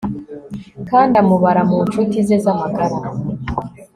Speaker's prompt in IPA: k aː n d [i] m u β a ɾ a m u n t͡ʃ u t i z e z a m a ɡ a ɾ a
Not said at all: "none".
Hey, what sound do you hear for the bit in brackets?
a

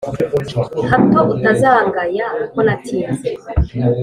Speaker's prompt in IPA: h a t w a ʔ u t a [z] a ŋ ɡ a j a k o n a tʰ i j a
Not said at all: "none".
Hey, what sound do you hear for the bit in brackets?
z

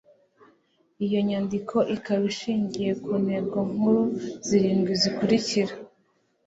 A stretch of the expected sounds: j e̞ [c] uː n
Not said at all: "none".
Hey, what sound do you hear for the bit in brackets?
k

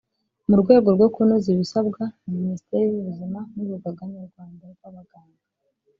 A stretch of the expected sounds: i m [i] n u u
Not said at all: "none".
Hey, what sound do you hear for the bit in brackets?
a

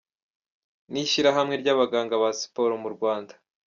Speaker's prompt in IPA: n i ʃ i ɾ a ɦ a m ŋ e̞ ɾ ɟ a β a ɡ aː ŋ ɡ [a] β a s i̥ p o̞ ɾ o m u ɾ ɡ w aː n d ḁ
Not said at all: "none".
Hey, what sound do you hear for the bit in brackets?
a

